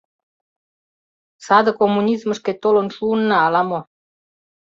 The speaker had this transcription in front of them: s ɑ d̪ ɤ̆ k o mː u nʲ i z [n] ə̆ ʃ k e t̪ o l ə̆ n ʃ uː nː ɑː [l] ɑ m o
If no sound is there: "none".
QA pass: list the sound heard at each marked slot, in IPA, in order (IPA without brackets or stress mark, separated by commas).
m, l